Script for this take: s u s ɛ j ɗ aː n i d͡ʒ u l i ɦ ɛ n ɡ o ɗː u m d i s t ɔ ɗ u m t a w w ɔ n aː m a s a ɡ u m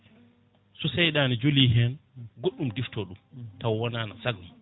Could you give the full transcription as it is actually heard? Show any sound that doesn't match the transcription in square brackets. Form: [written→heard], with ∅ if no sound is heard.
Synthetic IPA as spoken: s u s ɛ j ɗ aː n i d͡ʒ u l i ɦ ɛ n ɡ o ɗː u m d i [s→f] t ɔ ɗ u m t a w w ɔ n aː [m→n] a s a ɡ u m